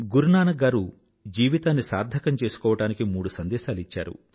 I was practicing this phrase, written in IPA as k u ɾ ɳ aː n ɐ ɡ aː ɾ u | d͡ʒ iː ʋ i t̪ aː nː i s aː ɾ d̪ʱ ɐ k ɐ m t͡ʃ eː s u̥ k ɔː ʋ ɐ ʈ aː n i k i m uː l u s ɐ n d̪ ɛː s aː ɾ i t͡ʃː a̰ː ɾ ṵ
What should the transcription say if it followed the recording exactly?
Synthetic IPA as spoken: ɡ u ɾ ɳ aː n ɐ ɡ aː ɾ u | d͡ʒ iː ʋ i t̪ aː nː i s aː ɾ d̪ʱ ɐ k ɐ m t͡ʃ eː s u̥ k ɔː ʋ ɐ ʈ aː n i k i m uː ɽ u s ɐ n d̪ ɛː ʃ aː l i t͡ʃː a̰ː ɾ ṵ